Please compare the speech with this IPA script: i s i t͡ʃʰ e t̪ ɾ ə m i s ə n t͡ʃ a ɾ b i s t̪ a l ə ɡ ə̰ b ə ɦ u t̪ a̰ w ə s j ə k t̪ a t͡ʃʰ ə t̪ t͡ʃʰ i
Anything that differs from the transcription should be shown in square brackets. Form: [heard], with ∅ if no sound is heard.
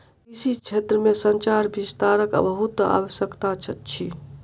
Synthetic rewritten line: i s i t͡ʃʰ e t̪ ɾ ə m [e] s ə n t͡ʃ a ɾ b i s t̪ a [ɾ] ə [k] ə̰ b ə ɦ u t̪ a̰ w ə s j ə k t̪ a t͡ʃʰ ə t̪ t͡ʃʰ i

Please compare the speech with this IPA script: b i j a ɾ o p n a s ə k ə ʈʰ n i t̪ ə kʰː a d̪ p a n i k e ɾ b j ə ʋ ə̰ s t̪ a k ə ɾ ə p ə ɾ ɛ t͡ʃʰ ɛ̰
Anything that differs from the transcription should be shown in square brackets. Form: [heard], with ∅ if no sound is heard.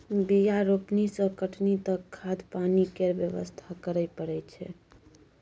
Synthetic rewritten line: b i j a ɾ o p n [i] s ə k ə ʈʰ n i t̪ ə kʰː a d̪ p a n i k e ɾ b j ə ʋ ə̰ s [t̪ʰ] a k ə ɾ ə p ə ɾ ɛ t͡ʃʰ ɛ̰

